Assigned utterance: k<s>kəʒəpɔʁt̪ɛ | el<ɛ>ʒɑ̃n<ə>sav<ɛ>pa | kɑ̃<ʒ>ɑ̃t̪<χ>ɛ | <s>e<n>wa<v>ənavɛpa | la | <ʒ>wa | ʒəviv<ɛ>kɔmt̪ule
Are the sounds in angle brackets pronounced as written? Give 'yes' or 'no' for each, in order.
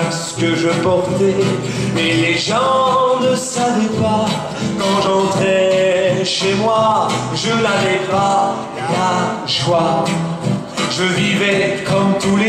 yes, no, yes, yes, yes, yes, no, no, no, yes, yes

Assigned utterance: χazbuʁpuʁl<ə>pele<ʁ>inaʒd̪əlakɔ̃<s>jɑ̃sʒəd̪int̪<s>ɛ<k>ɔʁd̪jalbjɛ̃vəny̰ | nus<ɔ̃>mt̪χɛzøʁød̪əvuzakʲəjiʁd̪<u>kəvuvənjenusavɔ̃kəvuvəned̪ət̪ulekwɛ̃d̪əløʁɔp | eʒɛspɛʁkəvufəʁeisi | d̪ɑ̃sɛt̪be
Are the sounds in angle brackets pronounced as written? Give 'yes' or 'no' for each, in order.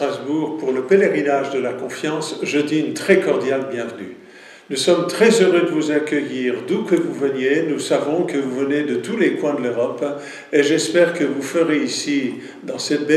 yes, yes, no, no, yes, no, yes

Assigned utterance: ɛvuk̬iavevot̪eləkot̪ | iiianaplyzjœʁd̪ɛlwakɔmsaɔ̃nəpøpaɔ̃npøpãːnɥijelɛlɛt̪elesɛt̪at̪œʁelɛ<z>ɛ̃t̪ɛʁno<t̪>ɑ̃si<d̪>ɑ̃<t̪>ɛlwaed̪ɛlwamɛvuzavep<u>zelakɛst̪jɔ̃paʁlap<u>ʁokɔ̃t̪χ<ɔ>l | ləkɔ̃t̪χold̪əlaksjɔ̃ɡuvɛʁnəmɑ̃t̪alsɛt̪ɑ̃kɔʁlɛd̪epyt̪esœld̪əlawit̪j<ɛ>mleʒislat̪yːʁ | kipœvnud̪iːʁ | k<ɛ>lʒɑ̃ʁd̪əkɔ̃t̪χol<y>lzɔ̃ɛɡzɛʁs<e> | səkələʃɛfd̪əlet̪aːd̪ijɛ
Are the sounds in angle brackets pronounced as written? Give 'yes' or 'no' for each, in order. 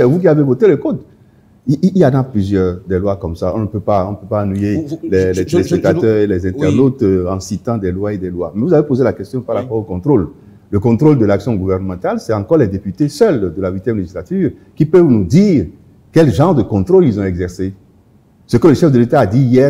yes, yes, no, no, no, no, no, yes, yes, no, yes

